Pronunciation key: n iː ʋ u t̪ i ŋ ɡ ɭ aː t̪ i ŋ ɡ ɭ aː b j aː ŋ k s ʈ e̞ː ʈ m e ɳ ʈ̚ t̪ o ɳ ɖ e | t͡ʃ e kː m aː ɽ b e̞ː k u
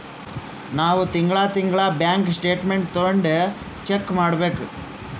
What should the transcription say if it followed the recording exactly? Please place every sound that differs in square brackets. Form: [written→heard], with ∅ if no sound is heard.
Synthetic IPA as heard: n [iː→aː] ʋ u t̪ i ŋ ɡ ɭ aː t̪ i ŋ ɡ ɭ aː b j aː ŋ k s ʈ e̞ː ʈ m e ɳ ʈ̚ t̪ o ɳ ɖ e | t͡ʃ e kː m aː ɽ b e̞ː k u